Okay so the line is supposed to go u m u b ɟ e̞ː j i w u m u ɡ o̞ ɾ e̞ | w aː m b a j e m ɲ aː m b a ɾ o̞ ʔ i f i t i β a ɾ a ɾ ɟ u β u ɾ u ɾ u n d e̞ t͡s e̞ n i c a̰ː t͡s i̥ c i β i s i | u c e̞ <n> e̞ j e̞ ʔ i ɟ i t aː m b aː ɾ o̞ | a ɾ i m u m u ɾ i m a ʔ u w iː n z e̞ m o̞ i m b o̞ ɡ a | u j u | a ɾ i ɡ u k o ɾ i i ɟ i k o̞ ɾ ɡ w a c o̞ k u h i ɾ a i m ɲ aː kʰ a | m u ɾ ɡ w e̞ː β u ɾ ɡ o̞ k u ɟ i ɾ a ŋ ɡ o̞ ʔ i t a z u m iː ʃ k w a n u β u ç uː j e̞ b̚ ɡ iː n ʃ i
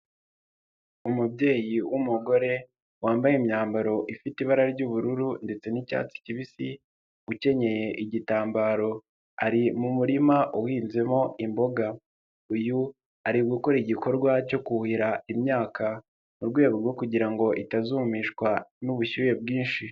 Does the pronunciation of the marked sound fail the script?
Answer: yes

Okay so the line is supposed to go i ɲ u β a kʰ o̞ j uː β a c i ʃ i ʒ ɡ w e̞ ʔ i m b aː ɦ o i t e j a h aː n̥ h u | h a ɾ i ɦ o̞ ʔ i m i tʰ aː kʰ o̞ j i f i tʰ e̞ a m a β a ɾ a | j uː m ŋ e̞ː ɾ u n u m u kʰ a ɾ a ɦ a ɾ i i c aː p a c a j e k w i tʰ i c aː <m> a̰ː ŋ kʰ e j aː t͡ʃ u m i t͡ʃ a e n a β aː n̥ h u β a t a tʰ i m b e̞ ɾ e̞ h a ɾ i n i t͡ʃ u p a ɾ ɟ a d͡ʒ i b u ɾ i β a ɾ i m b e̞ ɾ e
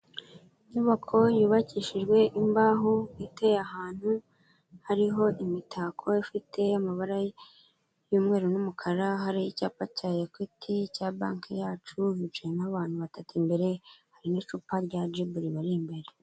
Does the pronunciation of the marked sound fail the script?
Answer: yes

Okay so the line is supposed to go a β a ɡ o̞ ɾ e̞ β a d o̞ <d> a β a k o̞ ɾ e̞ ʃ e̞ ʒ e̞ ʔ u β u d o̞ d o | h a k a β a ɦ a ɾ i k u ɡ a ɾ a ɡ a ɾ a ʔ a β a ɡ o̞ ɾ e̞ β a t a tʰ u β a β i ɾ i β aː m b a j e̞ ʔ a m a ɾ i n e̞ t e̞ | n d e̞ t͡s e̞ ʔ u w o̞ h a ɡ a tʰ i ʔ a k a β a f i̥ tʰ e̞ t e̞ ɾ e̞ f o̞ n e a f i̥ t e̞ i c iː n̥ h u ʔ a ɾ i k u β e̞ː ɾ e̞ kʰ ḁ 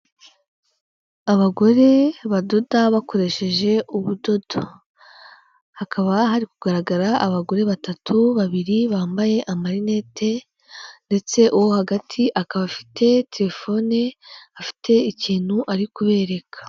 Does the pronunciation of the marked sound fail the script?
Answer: no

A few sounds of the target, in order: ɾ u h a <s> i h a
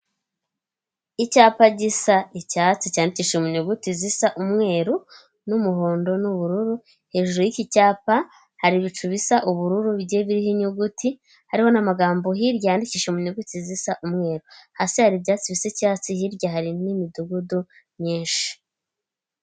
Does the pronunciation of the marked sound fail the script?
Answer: no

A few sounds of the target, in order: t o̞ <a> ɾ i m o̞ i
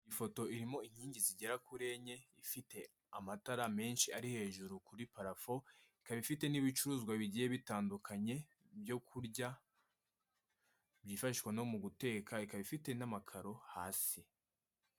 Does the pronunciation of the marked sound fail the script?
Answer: yes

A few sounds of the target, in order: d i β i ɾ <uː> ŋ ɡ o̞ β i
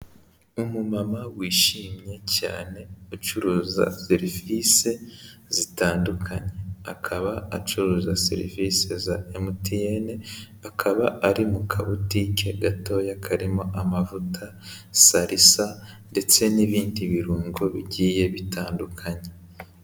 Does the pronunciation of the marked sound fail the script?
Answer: no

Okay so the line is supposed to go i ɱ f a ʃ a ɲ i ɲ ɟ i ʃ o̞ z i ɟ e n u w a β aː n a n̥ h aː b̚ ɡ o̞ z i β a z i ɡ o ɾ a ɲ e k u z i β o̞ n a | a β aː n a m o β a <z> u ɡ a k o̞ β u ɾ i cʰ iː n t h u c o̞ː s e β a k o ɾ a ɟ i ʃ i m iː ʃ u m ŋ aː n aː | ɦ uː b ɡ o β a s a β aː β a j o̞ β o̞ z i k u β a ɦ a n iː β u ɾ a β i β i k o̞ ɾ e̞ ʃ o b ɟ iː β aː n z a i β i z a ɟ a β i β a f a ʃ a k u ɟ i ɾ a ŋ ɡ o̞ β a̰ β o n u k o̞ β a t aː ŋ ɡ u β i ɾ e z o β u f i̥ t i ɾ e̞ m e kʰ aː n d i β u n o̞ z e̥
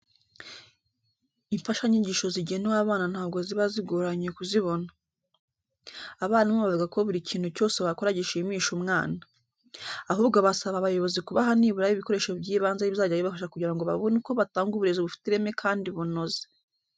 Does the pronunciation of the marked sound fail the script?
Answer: yes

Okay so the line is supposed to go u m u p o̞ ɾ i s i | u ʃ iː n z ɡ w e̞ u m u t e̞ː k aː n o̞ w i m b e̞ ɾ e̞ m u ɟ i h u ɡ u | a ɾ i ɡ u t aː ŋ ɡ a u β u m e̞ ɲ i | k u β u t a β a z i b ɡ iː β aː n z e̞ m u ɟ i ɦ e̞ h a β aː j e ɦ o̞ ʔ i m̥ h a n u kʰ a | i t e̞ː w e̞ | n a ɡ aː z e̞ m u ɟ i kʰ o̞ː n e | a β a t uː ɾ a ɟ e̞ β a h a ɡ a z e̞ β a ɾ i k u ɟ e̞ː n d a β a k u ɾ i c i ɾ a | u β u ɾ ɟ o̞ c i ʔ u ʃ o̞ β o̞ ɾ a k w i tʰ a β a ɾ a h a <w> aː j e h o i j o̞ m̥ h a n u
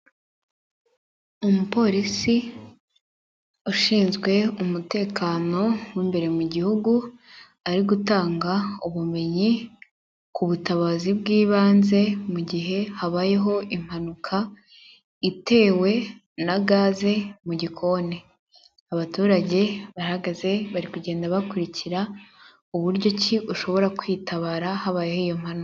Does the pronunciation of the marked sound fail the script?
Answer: yes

